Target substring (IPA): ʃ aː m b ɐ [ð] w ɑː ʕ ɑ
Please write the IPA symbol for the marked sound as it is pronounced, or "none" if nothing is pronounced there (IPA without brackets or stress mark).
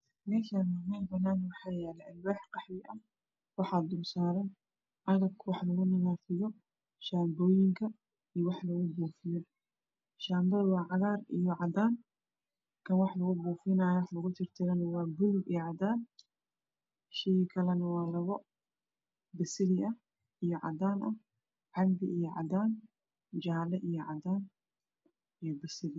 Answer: ð